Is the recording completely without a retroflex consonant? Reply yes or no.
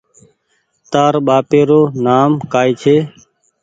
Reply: yes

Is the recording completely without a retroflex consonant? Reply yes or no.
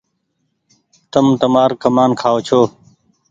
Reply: yes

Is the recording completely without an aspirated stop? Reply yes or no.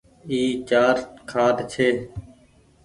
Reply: no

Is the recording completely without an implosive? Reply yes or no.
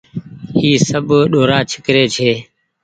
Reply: no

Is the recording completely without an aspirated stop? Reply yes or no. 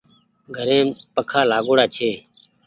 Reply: no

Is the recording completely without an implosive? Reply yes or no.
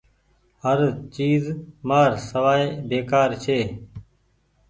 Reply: yes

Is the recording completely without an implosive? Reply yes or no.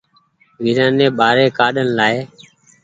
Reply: no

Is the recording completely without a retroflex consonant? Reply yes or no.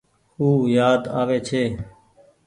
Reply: yes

